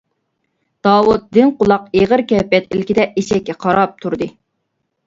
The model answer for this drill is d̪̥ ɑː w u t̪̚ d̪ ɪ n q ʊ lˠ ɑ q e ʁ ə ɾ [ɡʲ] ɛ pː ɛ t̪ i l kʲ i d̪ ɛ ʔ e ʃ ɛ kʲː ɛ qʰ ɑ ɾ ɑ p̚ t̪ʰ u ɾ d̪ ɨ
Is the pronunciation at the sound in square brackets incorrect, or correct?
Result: incorrect: kʲ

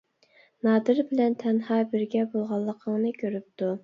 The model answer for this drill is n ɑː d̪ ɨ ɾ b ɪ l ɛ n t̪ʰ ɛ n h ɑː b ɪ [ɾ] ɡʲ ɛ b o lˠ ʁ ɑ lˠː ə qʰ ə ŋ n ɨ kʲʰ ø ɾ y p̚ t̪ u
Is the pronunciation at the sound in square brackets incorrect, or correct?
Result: correct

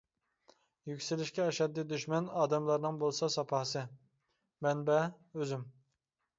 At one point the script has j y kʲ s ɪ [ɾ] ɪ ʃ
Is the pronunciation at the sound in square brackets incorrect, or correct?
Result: incorrect: l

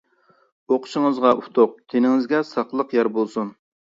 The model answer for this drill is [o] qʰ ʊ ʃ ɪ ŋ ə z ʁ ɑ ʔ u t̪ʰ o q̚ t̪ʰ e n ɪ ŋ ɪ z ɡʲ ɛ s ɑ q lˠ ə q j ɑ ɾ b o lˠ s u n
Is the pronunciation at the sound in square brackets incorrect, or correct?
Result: correct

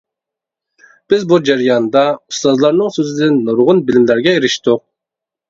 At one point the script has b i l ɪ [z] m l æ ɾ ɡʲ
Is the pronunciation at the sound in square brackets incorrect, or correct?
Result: incorrect: none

